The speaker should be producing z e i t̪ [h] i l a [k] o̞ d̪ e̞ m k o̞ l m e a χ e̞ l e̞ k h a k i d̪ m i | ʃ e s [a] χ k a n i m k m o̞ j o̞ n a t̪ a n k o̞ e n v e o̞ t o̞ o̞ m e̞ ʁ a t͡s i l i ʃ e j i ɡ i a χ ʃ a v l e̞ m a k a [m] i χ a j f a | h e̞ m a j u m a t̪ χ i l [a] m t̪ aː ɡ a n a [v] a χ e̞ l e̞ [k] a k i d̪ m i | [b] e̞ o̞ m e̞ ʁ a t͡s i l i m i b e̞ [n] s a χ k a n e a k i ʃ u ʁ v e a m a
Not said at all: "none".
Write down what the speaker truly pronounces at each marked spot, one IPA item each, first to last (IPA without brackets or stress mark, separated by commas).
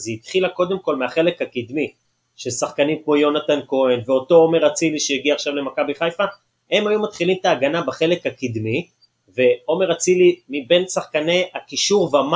χ, k, a, b, i, b, k, v, n